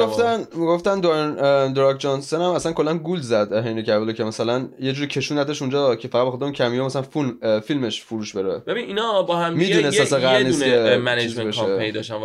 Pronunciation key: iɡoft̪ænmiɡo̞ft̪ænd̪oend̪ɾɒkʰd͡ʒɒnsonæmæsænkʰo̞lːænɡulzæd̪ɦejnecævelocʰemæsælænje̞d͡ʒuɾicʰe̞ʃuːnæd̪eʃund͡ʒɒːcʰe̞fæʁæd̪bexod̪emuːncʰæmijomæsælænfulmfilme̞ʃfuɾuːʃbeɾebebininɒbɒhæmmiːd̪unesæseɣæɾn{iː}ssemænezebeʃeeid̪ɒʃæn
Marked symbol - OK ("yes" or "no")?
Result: no